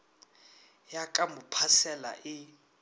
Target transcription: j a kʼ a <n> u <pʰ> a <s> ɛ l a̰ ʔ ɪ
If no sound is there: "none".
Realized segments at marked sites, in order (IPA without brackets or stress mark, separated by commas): m, pʰ, s